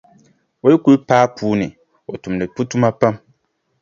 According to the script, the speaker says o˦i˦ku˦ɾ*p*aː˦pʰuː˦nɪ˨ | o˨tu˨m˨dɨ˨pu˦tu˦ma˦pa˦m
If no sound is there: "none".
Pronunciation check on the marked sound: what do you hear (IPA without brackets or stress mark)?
p